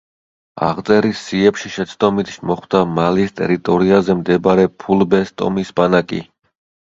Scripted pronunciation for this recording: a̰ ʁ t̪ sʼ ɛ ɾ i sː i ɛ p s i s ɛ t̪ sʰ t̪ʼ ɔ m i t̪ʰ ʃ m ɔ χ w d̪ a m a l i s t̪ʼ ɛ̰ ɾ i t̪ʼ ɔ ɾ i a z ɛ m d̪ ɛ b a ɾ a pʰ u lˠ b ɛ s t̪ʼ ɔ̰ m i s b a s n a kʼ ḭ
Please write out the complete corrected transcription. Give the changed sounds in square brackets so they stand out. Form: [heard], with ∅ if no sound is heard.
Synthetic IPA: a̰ ʁ t̪ sʼ ɛ ɾ i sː i ɛ p [ʃ] i [ʃ] ɛ t̪ sʰ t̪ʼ ɔ m i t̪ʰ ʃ m ɔ χ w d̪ a m a l i s t̪ʼ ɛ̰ ɾ i t̪ʼ ɔ ɾ i a z ɛ m d̪ ɛ b a ɾ [ɛ] pʰ u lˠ b ɛ s t̪ʼ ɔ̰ m i s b a [∅] n a kʼ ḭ